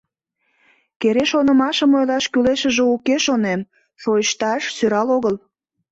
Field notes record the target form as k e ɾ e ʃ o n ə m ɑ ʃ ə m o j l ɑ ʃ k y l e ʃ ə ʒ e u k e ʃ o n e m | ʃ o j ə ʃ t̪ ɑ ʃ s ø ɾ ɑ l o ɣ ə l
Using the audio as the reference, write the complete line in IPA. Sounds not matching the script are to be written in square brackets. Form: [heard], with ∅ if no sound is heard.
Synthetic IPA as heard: k e ɾ e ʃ o n ə m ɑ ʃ ə m o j l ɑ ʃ k y l e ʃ ə ʒ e u k e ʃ o n e m | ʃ o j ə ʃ t̪ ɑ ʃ s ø ɾ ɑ l o ɣ ə l